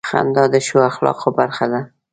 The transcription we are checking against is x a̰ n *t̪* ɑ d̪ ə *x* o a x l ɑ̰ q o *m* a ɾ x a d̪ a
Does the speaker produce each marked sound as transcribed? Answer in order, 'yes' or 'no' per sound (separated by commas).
no, no, no